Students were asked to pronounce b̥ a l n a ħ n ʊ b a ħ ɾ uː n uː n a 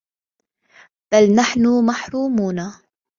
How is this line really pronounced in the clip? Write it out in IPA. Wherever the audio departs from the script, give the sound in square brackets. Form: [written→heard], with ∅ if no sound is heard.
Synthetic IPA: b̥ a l n a ħ n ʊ [b→m] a ħ ɾ uː [n→m] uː n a